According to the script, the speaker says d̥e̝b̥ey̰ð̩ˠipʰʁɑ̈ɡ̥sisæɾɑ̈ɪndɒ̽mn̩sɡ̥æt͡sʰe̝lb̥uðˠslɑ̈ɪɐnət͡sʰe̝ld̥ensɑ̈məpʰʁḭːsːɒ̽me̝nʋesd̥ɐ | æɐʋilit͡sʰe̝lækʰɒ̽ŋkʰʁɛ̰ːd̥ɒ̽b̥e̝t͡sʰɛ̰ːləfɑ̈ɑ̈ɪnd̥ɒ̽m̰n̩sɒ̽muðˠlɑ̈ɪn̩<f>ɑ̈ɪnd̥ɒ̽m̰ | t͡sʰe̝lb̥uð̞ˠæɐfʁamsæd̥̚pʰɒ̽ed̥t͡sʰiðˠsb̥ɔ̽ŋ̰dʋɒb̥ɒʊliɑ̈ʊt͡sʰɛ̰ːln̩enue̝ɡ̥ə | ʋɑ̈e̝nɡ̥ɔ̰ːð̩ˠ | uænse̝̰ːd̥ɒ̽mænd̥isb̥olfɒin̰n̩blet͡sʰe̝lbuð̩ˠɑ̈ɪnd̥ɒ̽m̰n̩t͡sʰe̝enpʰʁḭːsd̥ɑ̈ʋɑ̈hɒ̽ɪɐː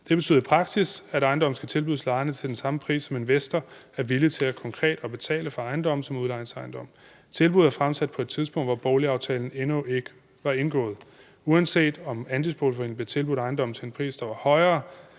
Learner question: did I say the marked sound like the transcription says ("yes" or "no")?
no